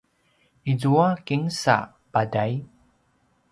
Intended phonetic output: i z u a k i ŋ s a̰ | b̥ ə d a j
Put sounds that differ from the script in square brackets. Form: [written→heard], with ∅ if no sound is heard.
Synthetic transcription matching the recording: i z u a k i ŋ s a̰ | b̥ [ə→a] d a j